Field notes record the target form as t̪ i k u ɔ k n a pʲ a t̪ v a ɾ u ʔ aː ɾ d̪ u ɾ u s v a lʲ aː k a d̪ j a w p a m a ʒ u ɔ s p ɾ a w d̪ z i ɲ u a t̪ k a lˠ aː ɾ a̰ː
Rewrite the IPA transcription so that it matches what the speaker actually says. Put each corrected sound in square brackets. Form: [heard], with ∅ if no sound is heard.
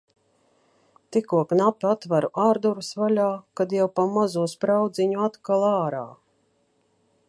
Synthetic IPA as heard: t̪ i k u ɔ k n a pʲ a t̪ v a ɾ u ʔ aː ɾ d̪ u ɾ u s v a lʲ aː k a d̪ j a w p a m a [z] u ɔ s p ɾ a w d̪ z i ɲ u a t̪ k a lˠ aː ɾ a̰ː